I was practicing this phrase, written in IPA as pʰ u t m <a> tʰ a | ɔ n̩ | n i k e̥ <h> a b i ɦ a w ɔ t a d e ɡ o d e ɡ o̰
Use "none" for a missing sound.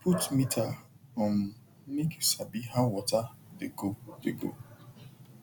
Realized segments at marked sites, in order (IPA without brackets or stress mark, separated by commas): i, s